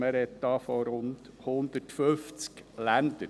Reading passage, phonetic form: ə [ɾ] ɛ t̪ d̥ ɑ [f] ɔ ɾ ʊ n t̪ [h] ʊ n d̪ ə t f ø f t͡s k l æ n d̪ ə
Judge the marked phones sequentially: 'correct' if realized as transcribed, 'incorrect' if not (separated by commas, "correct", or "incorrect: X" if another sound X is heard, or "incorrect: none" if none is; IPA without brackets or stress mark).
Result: correct, correct, correct